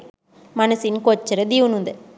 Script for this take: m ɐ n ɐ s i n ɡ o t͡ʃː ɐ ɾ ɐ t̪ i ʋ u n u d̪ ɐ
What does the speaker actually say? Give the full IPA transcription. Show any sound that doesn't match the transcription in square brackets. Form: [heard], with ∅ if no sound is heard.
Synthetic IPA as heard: m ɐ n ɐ s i n [k] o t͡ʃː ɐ ɾ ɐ [d̪] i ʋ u n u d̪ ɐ

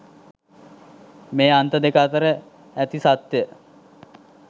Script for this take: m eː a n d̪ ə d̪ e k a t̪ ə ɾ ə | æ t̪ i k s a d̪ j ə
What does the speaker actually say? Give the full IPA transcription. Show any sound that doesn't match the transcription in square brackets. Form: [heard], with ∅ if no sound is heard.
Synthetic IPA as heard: m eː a n [t̪] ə d̪ e k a t̪ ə ɾ ə | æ t̪ i [∅] s a [t̪] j ə

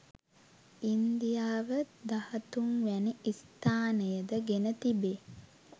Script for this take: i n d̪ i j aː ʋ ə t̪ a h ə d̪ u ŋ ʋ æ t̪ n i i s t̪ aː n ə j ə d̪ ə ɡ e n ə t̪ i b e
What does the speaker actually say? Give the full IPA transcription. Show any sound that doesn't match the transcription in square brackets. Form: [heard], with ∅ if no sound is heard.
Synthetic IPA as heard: i n d̪ i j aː ʋ ə [d̪] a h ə [t̪] u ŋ ʋ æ [∅] n i i s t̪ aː n ə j ə d̪ ə ɡ e n ə t̪ i b e

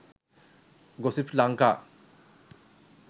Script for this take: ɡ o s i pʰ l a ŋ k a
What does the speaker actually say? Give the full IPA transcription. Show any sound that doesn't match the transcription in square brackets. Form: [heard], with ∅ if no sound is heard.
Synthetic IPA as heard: ɡ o s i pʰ l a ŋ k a

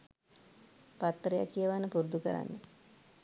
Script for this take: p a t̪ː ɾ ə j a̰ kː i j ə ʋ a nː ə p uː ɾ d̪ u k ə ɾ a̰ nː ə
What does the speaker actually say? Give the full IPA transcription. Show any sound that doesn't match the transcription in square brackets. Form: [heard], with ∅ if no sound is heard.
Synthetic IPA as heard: p a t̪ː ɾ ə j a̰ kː i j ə ʋ a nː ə p [u] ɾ d̪ u k ə ɾ a̰ nː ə

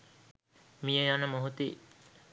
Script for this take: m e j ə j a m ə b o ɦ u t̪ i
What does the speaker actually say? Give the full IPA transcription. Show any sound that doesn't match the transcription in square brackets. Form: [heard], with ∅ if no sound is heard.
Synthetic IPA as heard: m [i] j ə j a [n] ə [m] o ɦ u t̪ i

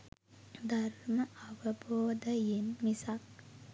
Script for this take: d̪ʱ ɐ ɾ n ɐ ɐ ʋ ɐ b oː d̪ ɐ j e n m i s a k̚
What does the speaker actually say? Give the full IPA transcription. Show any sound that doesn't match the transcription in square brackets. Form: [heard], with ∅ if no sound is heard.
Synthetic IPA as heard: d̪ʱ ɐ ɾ [m] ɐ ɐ ʋ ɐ b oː d̪ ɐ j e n m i s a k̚

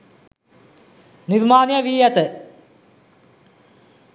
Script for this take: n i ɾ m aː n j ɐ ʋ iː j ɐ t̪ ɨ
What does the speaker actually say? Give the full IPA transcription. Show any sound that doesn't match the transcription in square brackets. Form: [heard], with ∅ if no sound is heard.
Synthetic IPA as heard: n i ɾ m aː n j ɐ ʋ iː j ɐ t̪ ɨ

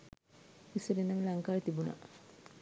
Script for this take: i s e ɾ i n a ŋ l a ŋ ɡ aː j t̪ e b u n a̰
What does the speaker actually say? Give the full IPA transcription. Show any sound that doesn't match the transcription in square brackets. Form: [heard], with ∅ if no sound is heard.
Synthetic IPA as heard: i s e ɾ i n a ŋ l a ŋ [k] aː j t̪ [i] b u n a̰

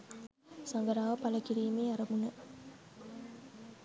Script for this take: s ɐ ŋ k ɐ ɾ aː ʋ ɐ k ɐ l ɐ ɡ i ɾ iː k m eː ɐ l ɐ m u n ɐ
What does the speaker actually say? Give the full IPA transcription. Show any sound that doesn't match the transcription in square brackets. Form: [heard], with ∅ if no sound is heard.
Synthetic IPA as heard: s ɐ ŋ [ɡ] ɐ ɾ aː ʋ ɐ [p] ɐ l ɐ [k] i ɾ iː [∅] m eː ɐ [ɾ] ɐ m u n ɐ

